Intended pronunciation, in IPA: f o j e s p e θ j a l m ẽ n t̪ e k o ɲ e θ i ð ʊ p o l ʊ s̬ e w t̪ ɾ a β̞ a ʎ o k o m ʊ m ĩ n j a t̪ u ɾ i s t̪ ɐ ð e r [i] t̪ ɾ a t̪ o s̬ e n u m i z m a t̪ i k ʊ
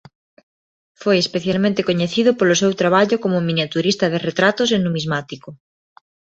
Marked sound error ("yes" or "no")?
yes